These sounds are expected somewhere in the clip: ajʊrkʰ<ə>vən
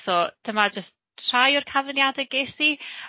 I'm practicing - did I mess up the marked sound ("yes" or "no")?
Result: yes